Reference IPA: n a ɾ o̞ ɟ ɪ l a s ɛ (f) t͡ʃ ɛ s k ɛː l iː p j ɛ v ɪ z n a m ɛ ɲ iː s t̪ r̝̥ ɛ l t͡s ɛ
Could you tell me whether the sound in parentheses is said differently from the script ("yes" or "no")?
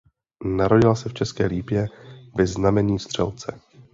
no